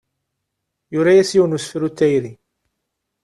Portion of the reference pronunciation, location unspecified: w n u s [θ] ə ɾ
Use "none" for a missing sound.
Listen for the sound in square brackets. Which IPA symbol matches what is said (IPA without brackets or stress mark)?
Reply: f